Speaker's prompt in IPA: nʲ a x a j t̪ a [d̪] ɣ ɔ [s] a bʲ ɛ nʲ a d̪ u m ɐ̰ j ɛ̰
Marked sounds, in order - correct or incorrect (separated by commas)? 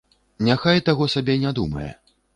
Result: incorrect, correct